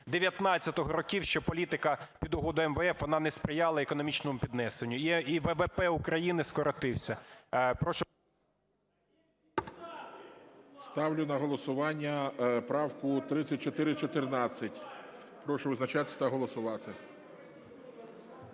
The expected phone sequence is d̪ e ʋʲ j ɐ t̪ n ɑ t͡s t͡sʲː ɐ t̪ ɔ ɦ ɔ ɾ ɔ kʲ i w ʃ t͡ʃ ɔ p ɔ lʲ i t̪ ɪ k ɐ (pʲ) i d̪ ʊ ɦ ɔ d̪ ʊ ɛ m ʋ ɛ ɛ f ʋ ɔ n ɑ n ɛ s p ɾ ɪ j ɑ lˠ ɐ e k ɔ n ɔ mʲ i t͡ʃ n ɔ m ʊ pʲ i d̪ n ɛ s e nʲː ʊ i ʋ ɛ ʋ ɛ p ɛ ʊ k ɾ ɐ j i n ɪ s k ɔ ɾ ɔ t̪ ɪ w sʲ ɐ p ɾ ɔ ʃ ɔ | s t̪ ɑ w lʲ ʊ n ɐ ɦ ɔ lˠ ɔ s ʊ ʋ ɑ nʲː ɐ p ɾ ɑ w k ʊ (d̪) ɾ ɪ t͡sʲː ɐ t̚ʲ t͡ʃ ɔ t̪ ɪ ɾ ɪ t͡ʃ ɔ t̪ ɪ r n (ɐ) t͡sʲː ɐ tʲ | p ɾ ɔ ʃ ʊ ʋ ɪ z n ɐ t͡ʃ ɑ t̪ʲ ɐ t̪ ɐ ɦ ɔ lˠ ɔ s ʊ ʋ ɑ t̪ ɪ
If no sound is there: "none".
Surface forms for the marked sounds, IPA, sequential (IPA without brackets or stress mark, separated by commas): pʲ, t̪, ɑ